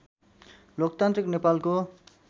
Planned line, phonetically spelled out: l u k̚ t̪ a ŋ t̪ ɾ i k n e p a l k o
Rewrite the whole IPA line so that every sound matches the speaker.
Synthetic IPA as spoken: l o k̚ t̪ a n t̪ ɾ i k n e p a l k o